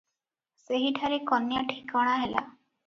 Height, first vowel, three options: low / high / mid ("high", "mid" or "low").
mid